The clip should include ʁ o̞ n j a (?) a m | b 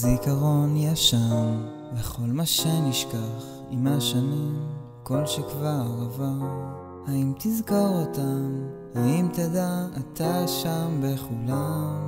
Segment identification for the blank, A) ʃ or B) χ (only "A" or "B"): A